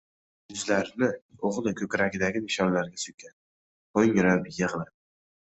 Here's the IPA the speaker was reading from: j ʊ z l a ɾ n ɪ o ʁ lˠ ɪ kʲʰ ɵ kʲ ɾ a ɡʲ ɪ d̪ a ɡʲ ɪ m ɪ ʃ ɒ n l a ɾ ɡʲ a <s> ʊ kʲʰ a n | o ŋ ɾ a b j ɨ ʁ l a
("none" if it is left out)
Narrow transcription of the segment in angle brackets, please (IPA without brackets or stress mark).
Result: s